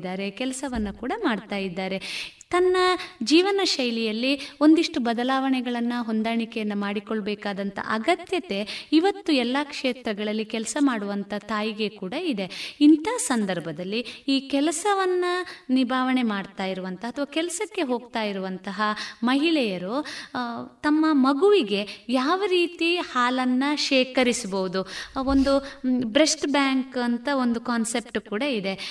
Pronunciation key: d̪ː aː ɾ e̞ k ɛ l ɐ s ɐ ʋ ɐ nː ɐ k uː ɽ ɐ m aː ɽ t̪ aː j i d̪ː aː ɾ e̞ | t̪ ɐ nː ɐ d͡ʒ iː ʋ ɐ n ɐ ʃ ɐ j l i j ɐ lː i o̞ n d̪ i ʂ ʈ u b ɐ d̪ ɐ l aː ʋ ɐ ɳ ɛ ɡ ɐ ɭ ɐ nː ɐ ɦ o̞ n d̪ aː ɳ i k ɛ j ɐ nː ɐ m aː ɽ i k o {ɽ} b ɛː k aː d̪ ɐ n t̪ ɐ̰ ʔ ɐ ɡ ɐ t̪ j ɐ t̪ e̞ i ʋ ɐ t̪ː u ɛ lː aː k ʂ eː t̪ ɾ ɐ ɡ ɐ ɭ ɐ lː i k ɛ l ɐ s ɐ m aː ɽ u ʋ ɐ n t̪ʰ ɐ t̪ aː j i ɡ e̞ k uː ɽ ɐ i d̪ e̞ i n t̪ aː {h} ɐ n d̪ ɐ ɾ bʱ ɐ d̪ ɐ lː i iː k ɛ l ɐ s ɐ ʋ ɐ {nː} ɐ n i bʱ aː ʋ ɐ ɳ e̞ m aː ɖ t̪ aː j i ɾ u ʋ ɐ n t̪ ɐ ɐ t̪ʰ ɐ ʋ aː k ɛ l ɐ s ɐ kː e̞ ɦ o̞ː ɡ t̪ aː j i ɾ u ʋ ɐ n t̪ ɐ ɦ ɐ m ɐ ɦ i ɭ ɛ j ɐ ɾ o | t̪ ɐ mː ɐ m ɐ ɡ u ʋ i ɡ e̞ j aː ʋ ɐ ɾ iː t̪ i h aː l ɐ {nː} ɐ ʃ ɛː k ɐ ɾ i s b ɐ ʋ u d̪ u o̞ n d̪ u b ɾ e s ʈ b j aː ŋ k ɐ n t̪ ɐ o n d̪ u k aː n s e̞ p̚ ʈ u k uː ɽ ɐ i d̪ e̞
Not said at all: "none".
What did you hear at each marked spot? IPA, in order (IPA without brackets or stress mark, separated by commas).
ɭ, s, nː, nː